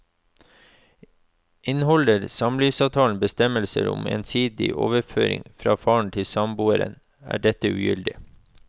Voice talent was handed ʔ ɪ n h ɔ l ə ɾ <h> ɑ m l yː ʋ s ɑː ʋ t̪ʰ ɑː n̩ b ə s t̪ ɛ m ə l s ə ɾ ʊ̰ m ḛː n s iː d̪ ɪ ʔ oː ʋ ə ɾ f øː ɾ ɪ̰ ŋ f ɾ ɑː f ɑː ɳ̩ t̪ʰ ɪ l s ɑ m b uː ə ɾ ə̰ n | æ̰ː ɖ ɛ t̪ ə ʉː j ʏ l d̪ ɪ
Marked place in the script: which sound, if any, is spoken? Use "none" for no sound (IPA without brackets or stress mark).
s